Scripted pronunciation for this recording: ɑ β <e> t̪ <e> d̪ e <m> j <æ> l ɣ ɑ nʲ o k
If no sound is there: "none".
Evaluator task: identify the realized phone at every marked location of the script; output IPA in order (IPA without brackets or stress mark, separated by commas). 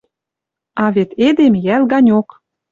e, e, m, æ